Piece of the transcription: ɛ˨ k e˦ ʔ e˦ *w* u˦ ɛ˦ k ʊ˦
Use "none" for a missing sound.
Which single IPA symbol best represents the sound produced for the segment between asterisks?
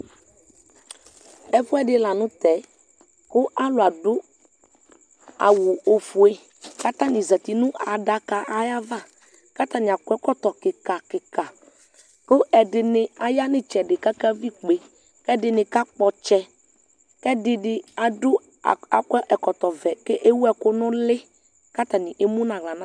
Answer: w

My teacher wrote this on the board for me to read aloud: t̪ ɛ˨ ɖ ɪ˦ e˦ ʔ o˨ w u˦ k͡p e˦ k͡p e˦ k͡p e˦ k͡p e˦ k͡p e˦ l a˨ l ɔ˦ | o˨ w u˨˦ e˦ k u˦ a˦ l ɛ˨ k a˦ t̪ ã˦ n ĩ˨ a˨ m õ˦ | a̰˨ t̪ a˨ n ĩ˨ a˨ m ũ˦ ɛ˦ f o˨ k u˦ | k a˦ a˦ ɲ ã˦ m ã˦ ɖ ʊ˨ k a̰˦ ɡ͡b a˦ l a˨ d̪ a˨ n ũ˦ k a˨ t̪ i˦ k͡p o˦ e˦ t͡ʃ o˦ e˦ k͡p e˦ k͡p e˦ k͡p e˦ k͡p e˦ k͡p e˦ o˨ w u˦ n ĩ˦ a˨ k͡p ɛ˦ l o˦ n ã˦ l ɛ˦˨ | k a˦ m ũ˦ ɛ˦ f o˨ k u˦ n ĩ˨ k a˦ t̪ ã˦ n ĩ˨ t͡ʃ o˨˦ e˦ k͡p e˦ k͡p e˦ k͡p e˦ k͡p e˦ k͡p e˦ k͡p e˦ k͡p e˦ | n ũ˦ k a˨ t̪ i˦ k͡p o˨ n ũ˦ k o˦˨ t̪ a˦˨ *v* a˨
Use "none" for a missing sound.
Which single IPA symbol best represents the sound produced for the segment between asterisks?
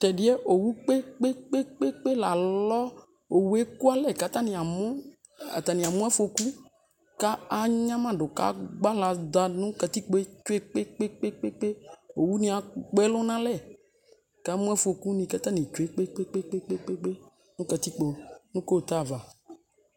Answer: v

